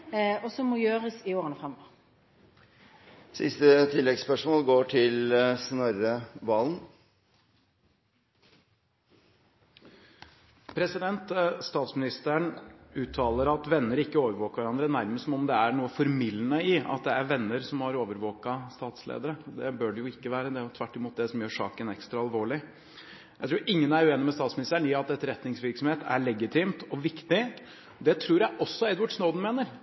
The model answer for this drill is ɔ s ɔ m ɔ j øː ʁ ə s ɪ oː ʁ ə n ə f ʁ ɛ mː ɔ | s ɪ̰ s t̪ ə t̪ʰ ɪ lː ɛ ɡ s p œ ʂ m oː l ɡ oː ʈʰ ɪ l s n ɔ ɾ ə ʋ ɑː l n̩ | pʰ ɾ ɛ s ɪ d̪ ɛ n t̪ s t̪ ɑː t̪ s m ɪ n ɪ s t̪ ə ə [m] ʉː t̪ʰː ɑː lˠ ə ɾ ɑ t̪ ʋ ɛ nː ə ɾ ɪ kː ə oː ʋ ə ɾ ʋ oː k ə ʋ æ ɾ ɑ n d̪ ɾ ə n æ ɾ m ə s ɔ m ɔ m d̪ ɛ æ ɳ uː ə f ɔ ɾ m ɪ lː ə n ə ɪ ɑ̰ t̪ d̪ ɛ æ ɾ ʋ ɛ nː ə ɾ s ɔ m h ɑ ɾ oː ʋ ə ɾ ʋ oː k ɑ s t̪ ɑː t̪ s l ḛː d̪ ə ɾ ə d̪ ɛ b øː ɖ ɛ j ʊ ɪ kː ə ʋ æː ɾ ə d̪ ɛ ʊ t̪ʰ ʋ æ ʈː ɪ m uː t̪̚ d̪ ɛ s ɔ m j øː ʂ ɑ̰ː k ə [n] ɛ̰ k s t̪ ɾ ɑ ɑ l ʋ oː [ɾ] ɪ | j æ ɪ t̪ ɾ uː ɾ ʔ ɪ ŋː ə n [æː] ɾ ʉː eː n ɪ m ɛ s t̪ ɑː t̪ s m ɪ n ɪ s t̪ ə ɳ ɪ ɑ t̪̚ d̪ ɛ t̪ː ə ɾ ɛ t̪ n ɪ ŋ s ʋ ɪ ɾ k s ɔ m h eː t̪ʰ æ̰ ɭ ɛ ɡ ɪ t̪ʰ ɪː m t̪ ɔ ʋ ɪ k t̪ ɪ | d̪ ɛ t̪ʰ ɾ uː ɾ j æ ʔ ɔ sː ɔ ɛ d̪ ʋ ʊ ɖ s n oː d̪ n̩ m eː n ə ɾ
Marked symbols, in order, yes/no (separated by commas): no, yes, no, no